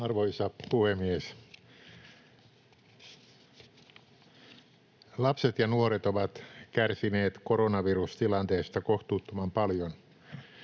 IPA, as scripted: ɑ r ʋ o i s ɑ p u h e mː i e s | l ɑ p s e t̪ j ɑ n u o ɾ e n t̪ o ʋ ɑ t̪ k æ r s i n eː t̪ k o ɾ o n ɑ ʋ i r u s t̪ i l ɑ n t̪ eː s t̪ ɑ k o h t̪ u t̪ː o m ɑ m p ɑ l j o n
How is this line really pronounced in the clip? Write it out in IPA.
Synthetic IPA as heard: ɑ r ʋ o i s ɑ p u h e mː i e s | l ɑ p s e t̪ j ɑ n u o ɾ e t̪ o ʋ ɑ t̪ k æ r s i n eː t̪ k o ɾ o n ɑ ʋ i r u s t̪ i l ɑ n t̪ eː s t̪ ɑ k o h t̪ uː t̪ː o m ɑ m p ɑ l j o n